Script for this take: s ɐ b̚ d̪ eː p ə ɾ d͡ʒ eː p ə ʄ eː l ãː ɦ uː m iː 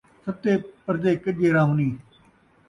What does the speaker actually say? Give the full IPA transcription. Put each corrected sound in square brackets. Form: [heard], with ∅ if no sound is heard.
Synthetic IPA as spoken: s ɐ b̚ [t̪] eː p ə ɾ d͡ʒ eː [k] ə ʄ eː [ɾ] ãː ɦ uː [n] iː